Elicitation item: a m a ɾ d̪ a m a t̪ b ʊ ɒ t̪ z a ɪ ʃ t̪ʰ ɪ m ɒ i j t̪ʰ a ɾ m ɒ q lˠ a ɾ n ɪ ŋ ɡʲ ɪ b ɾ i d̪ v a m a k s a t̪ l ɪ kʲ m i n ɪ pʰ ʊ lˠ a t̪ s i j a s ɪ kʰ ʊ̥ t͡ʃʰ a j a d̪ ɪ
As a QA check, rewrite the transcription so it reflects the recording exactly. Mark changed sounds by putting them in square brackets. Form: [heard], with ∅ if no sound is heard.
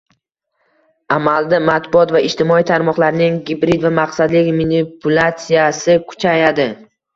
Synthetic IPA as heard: a m a [l] d̪ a m a t̪ b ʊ ɒ t̪ [v] a ɪ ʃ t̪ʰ ɪ m ɒ i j t̪ʰ a ɾ m ɒ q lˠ a ɾ n ɪ ŋ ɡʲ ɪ b ɾ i d̪ v a m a [q] s a [d̪] l ɪ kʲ m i n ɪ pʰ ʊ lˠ a t̪ s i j a s ɪ kʰ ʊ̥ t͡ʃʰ a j a d̪ ɪ